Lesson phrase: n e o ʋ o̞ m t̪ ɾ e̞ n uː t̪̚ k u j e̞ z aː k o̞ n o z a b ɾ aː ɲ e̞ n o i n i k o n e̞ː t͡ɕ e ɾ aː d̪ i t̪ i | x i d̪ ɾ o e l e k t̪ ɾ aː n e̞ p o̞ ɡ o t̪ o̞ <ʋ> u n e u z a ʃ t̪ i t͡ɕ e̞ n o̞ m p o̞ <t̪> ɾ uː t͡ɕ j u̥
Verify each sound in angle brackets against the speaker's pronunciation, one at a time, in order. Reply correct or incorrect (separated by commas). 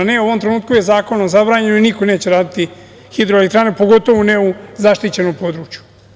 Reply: correct, incorrect